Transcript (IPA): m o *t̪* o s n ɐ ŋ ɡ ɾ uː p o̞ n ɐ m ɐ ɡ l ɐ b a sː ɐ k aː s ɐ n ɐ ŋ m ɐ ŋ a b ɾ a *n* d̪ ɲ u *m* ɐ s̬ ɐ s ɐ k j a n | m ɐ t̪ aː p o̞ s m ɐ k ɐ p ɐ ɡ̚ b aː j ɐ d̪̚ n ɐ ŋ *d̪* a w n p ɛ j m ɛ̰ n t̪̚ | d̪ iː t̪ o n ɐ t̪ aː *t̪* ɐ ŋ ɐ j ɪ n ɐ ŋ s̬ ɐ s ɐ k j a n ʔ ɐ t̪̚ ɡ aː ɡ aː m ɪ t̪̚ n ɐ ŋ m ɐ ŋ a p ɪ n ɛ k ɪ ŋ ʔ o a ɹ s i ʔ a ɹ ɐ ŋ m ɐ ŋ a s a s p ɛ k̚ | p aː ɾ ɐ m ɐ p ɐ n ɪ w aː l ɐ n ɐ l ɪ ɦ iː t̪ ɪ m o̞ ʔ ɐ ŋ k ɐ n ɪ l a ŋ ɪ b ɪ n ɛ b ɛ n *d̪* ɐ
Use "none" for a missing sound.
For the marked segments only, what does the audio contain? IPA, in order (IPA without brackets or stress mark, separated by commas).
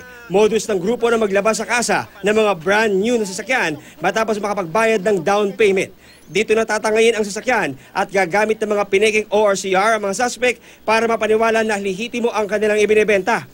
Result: d̪, n, n, d̪, t̪, t̪